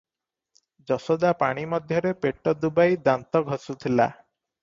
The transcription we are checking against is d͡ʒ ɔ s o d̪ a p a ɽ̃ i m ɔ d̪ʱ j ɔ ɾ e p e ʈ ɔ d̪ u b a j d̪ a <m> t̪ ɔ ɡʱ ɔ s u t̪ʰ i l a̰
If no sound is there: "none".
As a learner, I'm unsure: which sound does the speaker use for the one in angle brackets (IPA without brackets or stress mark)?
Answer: n